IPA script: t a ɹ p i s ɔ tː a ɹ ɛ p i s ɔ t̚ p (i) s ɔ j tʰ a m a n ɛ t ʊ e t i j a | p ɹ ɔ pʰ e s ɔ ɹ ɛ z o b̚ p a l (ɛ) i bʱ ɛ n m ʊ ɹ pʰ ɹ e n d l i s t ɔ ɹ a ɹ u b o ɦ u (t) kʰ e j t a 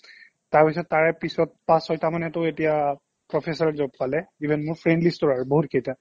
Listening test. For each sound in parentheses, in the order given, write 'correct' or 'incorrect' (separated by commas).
incorrect, correct, correct